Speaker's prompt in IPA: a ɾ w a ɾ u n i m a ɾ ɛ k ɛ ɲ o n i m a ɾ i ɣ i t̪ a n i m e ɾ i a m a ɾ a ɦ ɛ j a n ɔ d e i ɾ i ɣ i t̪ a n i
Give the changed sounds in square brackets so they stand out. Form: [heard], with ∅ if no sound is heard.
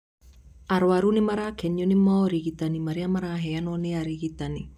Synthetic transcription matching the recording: a ɾ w a ɾ u n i m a ɾ [a] k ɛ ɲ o n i m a ɾ i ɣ i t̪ a n i m [a] ɾ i a m a ɾ a ɦ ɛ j a n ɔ [n] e [a] ɾ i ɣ i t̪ a n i